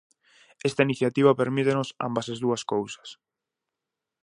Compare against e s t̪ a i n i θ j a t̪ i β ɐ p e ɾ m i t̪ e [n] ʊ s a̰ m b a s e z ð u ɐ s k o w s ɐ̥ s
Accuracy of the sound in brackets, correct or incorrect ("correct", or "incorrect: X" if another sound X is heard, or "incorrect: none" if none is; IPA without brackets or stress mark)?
correct